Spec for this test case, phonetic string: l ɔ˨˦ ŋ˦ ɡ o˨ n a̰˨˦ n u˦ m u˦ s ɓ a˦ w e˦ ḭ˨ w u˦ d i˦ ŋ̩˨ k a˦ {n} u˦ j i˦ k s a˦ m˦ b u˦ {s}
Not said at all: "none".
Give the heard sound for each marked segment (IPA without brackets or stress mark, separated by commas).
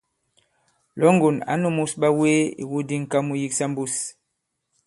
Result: m, s